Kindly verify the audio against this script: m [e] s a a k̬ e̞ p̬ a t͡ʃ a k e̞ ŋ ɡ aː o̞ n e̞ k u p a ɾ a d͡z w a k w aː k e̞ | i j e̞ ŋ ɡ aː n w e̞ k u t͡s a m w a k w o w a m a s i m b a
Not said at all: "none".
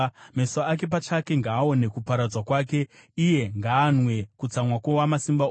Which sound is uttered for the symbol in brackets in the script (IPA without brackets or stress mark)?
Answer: e